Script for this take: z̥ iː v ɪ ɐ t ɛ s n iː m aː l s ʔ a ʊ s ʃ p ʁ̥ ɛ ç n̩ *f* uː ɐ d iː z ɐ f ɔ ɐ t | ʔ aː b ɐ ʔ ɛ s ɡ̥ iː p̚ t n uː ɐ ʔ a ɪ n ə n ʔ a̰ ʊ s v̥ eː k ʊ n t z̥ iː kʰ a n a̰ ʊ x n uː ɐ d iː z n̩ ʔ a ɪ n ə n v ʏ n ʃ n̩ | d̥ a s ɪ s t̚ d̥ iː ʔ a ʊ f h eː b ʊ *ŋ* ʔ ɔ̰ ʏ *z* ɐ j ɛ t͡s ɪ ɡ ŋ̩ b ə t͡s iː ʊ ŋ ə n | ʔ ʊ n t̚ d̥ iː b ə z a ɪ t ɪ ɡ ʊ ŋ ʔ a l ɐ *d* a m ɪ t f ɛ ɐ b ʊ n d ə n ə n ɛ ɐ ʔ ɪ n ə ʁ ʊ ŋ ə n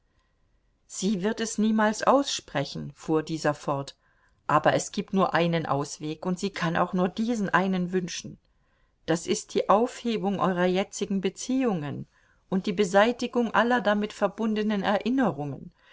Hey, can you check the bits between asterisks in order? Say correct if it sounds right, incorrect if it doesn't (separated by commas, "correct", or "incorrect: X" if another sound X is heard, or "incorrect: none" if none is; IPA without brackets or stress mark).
correct, correct, incorrect: ʁ, correct